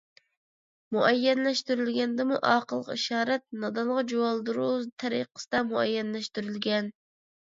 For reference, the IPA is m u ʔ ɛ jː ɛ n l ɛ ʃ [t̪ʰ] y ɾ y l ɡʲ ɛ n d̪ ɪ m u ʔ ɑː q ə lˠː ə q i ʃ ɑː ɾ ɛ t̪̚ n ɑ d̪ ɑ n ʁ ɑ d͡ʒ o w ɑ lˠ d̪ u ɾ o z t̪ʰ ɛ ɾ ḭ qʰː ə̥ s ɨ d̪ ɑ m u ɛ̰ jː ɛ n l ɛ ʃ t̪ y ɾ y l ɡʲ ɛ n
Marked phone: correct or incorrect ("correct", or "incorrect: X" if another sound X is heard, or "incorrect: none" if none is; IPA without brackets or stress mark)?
incorrect: t̪